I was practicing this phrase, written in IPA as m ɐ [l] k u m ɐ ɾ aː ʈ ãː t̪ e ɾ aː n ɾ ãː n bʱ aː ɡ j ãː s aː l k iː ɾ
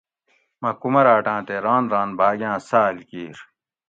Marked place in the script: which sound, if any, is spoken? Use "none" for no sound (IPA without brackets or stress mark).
none